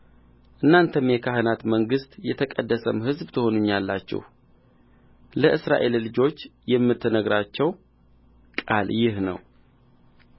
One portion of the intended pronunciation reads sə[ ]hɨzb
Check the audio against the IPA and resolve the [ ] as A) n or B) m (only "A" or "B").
B